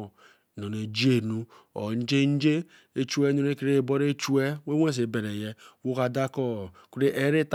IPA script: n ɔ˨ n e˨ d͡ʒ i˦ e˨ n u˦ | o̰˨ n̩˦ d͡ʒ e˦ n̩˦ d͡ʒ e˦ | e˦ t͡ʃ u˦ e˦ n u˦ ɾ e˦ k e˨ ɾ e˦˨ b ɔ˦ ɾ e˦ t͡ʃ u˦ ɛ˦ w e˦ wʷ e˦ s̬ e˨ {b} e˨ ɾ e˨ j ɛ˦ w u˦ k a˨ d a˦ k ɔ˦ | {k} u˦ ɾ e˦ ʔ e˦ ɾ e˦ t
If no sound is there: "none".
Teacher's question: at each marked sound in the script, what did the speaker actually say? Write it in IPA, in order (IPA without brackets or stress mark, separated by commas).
b, k